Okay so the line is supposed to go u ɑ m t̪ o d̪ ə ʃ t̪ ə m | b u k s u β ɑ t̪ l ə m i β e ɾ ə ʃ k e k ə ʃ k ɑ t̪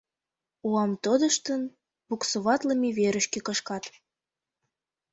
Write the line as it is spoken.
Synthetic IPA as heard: u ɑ m t̪ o d̪ ə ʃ t̪ ə n | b u k s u β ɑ t̪ l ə m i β e ɾ ə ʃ k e k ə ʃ k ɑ t̪